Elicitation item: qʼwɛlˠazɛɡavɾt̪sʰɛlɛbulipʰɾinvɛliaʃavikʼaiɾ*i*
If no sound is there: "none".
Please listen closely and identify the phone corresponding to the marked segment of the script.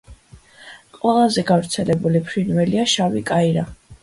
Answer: a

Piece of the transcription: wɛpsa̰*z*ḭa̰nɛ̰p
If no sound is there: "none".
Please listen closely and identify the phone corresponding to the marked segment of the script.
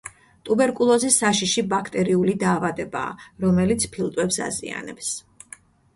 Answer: z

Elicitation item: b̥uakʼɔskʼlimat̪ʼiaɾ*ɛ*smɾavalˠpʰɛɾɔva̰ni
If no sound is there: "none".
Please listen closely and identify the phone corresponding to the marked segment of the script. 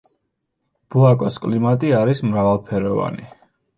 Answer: i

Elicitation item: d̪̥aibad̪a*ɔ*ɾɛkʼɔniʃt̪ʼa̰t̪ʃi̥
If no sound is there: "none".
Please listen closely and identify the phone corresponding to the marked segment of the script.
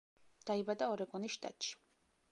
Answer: ɔ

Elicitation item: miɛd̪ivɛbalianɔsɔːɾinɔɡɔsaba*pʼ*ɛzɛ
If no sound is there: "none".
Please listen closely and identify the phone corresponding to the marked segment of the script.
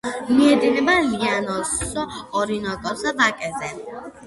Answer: kʼ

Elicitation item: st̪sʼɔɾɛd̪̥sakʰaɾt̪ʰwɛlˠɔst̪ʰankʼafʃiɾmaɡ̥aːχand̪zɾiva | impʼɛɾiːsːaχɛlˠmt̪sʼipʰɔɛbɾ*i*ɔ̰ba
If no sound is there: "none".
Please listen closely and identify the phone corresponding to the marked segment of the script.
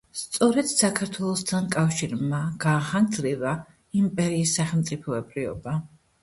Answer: i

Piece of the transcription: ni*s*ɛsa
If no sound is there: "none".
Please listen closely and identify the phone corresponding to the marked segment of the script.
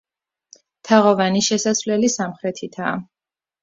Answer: ʃ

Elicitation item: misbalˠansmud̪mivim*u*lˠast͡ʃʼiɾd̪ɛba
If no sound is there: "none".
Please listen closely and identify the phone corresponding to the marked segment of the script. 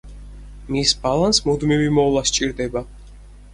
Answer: ɔ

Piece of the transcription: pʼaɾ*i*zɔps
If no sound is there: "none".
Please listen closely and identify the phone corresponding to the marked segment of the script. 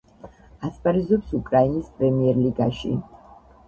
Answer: i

